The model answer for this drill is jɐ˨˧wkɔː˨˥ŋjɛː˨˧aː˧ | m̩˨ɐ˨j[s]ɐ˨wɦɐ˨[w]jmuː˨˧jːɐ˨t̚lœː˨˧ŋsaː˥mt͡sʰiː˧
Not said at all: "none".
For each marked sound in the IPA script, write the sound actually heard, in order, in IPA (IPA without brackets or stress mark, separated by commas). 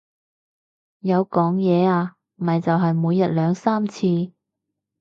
t͡s, none